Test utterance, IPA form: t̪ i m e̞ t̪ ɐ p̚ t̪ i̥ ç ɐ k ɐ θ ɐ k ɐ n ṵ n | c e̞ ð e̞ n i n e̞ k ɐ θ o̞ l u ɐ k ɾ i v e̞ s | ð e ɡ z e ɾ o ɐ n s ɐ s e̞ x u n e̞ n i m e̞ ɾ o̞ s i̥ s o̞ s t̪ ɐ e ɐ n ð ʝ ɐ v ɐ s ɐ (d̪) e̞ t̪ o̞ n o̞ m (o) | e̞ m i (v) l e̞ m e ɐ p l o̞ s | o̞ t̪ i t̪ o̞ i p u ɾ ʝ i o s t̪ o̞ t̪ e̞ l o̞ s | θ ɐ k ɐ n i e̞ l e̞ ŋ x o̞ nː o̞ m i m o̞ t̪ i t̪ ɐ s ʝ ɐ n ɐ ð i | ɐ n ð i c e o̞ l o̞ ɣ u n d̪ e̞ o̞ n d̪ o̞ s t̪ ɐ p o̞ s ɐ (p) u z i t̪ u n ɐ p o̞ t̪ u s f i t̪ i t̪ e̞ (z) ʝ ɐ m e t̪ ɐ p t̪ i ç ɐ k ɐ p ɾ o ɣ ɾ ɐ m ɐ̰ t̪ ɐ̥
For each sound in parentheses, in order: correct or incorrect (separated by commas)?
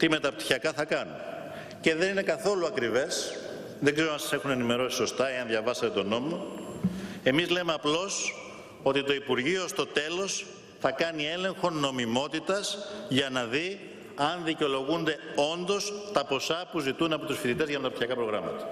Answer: incorrect, correct, incorrect, correct, correct